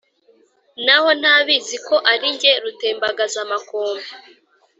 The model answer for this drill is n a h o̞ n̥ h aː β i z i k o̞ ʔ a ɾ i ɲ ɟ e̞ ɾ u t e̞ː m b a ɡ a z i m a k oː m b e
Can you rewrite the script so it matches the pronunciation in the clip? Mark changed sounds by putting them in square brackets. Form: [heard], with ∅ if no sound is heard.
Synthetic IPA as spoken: n a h o̞ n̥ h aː β i z i k o̞ ʔ a ɾ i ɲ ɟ e̞ ɾ u t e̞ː m b a ɡ a z [a] m a k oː m b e